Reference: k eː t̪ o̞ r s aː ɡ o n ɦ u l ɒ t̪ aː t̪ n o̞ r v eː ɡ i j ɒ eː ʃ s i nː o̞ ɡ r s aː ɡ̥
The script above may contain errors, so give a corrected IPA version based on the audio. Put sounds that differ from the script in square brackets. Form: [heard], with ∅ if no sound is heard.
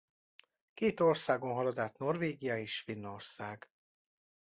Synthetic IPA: k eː t̪ o̞ r s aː ɡ o n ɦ [ɒ] l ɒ [d̪] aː t̪ n o̞ r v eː ɡ i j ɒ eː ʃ [f] i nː o̞ [∅] r s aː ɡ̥